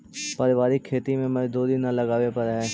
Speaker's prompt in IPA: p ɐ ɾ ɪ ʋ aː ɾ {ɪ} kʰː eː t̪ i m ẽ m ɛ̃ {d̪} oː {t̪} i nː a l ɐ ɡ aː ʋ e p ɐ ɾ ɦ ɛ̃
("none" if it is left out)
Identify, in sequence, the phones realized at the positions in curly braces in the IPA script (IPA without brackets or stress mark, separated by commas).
i, d̪, d̪